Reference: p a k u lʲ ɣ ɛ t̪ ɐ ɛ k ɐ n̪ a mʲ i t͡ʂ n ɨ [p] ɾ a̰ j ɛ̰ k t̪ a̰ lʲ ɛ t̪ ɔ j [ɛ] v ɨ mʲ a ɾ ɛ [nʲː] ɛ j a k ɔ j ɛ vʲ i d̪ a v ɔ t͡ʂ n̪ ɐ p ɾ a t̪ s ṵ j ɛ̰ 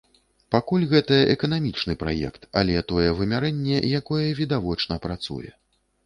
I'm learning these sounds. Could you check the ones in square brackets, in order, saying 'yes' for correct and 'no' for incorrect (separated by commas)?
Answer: yes, yes, yes